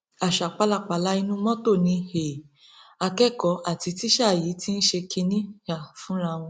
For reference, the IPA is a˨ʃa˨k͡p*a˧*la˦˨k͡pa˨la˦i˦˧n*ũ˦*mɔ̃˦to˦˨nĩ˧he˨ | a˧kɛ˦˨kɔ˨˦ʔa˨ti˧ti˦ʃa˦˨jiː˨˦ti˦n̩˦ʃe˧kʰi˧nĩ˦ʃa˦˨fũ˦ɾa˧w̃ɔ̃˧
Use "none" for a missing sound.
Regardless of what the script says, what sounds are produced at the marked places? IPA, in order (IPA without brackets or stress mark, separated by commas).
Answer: a˧, ũ˦